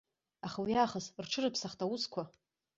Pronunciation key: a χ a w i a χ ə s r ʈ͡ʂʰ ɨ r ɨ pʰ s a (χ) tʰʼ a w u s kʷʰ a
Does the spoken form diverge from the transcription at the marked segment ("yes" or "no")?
no